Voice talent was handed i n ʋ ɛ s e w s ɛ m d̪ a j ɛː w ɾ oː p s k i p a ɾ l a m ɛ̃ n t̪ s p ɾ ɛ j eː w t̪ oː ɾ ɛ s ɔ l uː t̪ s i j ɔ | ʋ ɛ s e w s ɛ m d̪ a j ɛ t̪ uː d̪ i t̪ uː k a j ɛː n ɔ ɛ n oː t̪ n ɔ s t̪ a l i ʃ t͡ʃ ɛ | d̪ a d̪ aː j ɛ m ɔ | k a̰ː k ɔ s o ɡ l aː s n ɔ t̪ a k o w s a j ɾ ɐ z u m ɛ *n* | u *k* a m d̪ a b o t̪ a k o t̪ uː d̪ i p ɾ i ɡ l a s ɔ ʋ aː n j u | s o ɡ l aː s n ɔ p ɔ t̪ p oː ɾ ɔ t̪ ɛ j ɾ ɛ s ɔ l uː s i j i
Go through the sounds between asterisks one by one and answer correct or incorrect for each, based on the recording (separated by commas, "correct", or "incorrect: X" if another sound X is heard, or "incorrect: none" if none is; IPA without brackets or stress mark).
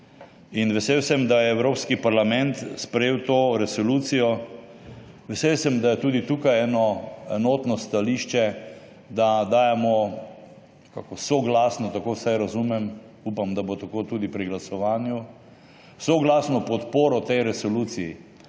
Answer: incorrect: m, incorrect: p